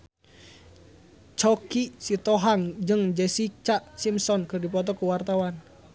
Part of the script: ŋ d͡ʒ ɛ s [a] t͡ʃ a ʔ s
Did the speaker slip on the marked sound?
yes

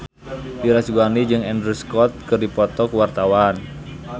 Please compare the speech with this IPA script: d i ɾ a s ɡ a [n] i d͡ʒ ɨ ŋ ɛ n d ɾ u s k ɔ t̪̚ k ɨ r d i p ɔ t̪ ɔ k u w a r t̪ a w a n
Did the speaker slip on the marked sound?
no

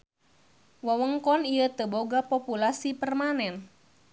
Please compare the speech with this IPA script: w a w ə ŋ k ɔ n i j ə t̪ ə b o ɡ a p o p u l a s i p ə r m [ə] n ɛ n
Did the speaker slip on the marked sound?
yes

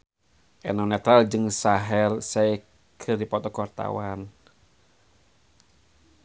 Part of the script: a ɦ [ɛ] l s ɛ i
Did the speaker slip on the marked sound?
no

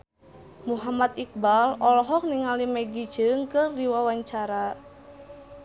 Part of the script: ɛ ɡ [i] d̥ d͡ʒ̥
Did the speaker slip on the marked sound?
no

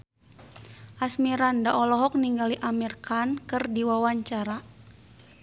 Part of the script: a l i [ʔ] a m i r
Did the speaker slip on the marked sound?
no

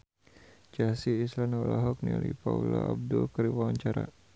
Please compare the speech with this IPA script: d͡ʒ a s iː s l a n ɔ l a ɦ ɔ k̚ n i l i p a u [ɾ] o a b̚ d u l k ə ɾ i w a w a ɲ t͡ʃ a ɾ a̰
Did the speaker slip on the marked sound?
yes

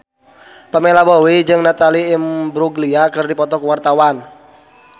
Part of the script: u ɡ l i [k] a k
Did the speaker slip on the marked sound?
yes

